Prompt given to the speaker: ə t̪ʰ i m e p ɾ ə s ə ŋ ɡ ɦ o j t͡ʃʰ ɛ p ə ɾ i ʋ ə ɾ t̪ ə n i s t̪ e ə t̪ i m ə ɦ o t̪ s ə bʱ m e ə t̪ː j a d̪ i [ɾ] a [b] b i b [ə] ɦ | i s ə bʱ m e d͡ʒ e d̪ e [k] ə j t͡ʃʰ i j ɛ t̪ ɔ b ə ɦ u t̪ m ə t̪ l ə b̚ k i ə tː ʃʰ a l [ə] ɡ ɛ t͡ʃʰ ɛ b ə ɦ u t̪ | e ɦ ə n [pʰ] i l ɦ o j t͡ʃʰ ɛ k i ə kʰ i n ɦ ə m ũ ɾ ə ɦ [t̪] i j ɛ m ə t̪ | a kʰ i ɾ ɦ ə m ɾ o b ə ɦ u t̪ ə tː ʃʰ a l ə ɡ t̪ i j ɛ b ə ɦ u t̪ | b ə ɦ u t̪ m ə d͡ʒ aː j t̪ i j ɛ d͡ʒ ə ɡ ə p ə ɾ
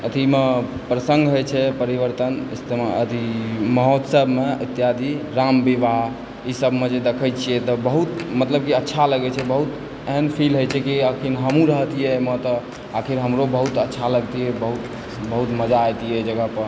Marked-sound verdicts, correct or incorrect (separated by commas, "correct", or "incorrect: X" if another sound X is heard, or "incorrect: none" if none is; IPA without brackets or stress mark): correct, incorrect: m, incorrect: a, incorrect: kʰ, correct, correct, correct